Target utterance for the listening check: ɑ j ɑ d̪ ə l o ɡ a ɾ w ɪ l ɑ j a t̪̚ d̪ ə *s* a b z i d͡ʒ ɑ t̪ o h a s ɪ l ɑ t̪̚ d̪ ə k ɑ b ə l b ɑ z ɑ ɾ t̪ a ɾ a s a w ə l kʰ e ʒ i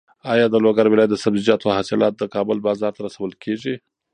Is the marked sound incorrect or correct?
correct